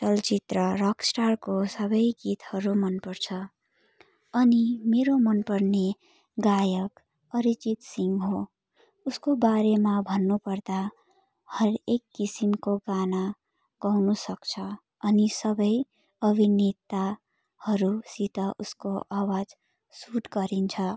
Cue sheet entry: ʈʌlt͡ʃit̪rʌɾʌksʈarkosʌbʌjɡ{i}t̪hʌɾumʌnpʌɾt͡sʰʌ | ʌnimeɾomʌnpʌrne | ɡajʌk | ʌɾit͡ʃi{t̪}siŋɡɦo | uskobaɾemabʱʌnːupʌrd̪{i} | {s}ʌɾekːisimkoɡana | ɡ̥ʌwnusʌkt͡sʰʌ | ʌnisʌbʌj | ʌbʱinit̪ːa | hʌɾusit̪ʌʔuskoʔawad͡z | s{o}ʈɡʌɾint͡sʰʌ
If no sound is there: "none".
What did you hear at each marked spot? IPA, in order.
i, t̪, a, h, u

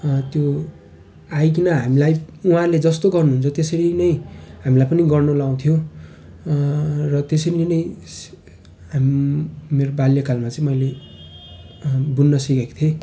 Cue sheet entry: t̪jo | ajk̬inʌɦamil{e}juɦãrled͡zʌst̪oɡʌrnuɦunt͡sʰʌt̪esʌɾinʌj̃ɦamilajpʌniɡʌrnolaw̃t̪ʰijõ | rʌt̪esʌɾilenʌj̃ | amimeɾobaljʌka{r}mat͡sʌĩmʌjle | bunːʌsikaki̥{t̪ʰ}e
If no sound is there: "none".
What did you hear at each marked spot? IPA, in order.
a, l, t̪ʰ

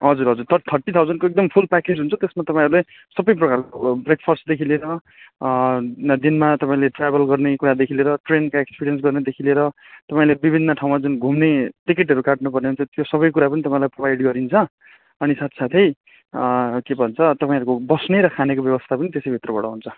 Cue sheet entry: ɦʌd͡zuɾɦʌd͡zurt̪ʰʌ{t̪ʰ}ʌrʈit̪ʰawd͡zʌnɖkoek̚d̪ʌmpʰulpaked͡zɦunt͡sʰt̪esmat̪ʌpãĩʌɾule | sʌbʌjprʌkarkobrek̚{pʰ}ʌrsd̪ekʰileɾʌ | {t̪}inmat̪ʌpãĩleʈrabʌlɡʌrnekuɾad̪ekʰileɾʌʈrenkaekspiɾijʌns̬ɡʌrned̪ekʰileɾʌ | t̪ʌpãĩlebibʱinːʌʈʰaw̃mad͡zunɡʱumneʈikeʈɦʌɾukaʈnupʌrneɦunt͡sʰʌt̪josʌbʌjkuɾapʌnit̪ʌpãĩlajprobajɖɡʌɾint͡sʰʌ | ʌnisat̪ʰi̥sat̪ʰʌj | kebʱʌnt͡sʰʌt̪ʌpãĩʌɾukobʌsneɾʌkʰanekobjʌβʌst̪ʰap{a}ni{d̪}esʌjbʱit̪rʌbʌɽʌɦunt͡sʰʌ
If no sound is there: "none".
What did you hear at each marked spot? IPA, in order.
t̪ʰ, pʰ, d̪, ʌ, t̪

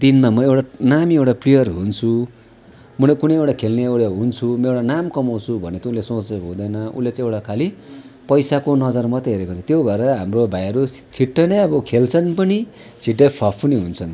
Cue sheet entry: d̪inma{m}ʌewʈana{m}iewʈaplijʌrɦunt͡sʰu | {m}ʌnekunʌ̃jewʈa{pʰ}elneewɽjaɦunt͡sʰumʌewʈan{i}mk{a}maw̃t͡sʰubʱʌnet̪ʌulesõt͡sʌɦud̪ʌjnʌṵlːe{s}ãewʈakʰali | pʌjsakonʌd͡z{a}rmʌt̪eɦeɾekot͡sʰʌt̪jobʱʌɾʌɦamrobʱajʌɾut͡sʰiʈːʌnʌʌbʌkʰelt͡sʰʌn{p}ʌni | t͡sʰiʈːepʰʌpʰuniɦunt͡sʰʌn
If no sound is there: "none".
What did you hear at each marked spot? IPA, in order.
m, m, m, kʰ, a, ʌ, t͡s, ʌ, p

